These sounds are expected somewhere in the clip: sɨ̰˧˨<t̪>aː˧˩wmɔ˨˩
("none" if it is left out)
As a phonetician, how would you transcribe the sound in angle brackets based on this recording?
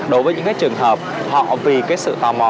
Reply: t̪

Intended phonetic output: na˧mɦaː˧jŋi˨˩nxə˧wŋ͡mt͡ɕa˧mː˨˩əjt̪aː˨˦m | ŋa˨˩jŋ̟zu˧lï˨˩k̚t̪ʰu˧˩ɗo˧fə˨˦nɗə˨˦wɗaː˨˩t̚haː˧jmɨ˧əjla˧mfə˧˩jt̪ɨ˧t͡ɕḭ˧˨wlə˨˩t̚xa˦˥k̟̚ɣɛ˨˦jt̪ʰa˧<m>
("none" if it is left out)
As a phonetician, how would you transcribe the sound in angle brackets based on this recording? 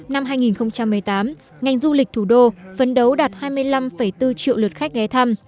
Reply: m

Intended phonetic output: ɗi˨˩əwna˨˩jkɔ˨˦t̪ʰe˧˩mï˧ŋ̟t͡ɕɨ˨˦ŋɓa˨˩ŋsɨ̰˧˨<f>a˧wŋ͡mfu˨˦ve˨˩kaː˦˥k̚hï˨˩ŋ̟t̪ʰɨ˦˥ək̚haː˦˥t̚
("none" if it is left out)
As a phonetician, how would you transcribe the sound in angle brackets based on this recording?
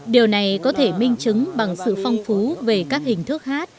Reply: f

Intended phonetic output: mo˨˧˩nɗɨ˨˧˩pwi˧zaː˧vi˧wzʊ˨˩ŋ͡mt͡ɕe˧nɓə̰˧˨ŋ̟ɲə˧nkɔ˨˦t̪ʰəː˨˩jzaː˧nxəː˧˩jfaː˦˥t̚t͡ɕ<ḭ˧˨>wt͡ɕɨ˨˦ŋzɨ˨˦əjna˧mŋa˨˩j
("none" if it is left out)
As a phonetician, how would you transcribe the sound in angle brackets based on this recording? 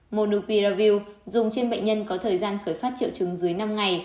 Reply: ḭ˧˨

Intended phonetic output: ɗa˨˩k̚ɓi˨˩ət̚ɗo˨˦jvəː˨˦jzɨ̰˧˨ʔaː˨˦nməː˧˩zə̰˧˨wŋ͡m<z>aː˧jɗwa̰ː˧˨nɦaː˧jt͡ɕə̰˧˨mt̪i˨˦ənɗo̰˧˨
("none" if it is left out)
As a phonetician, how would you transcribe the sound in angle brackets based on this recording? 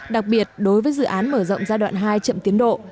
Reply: z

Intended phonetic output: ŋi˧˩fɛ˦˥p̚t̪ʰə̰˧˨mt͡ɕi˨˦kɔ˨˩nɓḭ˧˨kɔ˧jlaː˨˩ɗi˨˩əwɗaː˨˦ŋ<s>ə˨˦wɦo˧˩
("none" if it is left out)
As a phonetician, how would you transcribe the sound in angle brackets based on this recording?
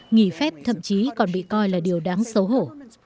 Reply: s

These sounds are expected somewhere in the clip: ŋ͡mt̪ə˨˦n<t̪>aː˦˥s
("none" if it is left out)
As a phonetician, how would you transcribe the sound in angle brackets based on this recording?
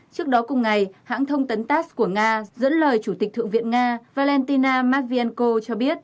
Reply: t̪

